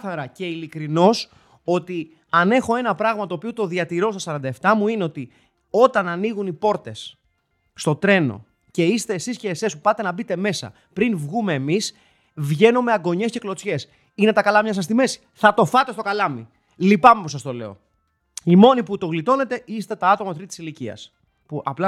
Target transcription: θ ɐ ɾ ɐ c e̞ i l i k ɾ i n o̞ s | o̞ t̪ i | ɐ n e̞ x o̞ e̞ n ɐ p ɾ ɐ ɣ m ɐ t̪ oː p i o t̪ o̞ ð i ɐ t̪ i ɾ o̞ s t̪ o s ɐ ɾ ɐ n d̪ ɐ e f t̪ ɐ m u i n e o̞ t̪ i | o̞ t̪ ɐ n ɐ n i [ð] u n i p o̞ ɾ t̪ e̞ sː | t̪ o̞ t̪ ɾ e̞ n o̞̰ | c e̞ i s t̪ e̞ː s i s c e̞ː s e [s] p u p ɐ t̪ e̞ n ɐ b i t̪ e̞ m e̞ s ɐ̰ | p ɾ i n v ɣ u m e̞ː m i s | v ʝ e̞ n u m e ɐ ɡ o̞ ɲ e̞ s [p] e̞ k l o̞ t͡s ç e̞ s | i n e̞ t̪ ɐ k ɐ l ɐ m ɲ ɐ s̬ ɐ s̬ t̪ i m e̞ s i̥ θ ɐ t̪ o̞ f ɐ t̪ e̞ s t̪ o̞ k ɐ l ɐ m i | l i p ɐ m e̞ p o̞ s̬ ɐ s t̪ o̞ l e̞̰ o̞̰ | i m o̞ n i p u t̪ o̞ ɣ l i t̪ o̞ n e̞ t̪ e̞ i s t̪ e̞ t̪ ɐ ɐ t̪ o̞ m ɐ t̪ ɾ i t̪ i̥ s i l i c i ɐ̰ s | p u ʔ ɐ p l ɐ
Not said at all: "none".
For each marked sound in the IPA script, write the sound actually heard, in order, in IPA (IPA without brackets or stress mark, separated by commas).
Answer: ɣ, s, c